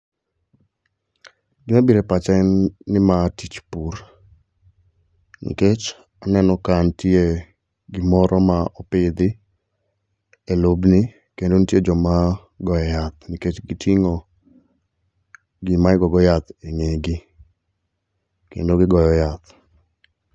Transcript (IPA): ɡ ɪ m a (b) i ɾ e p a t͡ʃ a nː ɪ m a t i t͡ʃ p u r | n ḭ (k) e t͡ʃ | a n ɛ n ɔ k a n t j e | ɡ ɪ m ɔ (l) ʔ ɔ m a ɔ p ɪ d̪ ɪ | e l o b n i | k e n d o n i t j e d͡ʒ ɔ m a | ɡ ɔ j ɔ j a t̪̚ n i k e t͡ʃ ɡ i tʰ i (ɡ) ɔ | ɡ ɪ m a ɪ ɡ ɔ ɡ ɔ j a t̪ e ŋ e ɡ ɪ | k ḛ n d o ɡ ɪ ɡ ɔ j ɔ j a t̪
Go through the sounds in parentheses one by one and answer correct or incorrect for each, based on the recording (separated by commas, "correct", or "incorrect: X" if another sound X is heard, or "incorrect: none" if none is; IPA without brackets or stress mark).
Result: correct, correct, incorrect: ɾ, incorrect: ŋ